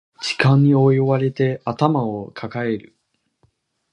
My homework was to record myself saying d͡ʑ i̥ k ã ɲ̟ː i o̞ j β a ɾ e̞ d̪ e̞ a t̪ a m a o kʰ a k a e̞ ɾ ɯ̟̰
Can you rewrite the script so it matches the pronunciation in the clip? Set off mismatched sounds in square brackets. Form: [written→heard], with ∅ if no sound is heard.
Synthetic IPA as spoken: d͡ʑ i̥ k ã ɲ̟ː i o̞ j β a ɾ e̞ [d̪→t̪] e̞ a t̪ a m a o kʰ a k a e̞ ɾ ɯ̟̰